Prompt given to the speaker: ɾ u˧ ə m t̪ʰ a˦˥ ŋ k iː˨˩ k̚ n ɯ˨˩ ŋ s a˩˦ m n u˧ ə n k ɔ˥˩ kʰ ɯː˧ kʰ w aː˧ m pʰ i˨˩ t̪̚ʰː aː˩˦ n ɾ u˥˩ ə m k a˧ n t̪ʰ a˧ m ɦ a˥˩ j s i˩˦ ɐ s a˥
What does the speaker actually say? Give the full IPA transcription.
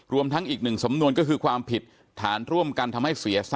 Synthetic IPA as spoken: ɾ u˧ ə m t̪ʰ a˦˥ ŋ ʔ iː˨˩ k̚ n ɯ˨˩ ŋ s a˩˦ m n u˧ ə n k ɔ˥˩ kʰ ɯː˧ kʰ w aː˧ m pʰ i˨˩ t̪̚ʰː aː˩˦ n ɾ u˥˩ ə m k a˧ n t̪ʰ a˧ m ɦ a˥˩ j s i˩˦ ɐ s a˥

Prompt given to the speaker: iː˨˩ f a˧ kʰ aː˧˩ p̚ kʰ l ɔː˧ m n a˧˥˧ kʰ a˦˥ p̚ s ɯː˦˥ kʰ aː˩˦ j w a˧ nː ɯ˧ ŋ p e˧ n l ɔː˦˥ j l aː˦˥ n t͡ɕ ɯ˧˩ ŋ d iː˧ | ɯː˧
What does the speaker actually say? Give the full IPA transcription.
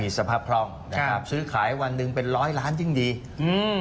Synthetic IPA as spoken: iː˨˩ s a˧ pʰ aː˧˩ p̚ kʰ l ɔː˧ ŋ n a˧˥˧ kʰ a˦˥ p̚ s ɯː˦˥ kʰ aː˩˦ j w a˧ nː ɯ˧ ŋ p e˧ n ɾ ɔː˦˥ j l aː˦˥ n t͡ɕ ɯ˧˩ ŋ d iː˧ | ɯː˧

